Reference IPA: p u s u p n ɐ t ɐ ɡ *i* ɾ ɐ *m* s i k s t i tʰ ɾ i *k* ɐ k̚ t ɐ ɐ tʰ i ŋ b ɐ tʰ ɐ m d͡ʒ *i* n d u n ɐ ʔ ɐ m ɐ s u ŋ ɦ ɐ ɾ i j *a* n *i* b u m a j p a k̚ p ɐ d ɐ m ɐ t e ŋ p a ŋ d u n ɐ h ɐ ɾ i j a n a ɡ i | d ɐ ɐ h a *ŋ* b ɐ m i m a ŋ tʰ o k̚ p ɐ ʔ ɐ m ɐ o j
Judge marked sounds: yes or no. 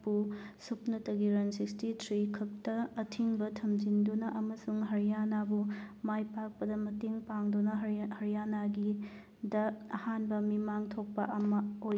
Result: yes, no, no, yes, yes, no, no

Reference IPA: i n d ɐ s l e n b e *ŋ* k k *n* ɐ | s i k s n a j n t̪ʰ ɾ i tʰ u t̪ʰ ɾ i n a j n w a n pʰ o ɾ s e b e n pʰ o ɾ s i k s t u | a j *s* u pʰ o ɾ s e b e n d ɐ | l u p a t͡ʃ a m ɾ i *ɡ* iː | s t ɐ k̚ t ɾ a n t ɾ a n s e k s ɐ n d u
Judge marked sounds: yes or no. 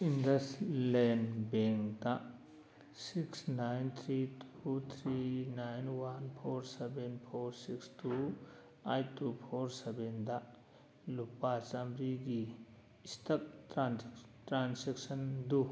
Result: yes, no, no, yes

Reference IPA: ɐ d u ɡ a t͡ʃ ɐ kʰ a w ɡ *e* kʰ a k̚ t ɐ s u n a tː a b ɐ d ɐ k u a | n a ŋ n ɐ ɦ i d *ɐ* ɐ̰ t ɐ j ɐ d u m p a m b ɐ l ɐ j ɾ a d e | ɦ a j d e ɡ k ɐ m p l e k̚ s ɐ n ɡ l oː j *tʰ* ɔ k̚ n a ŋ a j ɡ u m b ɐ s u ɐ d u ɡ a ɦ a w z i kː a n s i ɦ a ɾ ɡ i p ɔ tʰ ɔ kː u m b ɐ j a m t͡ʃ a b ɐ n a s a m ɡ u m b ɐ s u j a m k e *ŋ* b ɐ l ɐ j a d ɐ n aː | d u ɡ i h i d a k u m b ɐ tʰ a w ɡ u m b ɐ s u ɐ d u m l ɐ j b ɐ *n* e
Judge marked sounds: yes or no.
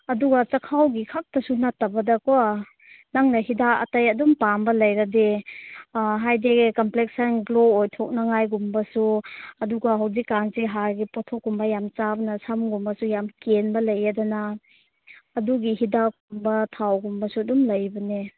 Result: no, no, yes, no, yes

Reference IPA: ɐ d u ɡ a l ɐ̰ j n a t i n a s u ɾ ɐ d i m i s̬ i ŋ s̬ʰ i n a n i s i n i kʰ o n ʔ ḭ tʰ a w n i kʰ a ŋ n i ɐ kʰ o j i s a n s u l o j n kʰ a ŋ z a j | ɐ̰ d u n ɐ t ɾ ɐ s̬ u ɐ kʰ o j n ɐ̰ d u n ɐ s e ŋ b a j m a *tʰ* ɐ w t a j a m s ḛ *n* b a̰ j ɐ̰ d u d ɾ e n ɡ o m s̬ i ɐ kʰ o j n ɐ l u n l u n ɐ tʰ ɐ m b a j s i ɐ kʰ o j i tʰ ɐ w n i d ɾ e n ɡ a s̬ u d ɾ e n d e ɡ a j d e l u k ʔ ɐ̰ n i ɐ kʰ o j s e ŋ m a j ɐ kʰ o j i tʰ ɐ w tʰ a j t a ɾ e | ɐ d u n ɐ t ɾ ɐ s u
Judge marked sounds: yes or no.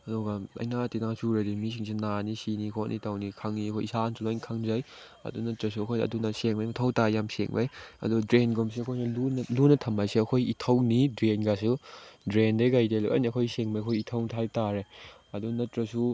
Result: yes, no

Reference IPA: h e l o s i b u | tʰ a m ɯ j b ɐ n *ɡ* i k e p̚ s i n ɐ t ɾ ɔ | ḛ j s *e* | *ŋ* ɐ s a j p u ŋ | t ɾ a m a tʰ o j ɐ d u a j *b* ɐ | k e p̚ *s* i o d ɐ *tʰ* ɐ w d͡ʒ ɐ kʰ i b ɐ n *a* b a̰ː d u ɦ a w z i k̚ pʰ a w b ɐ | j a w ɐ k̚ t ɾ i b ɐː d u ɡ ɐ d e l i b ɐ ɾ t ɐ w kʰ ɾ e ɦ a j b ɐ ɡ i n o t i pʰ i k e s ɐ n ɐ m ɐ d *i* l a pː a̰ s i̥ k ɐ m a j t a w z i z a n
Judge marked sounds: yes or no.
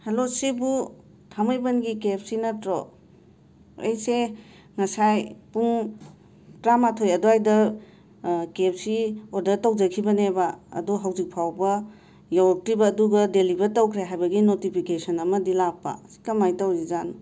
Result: yes, yes, yes, no, yes, no, no, yes

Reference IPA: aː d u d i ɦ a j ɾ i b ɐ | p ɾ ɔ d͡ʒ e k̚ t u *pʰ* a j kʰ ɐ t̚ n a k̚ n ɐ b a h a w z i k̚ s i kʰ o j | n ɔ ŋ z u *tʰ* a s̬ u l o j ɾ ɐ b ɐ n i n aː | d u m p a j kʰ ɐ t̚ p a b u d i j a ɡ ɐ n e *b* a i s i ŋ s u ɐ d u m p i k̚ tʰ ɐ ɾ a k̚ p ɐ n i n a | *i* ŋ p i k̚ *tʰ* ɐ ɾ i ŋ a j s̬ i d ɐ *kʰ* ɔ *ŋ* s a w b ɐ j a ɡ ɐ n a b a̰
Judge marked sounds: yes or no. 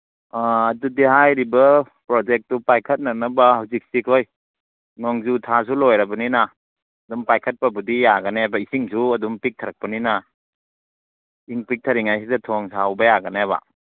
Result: no, yes, yes, yes, yes, no, yes

